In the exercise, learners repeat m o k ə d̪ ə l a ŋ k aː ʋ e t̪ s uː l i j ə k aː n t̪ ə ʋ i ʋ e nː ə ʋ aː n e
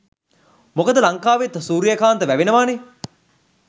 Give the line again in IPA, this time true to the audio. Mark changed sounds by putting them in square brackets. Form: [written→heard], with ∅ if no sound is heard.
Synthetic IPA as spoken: m o k ə d̪ ə l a ŋ k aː ʋ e t̪ s uː [l→ɾ] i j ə k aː n t̪ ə ʋ [i→æ] ʋ e [nː→n] ə ʋ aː n e